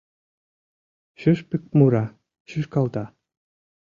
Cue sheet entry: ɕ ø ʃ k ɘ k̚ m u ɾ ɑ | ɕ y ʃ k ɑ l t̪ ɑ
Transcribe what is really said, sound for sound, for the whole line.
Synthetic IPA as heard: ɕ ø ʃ p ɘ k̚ m u ɾ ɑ | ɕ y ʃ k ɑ l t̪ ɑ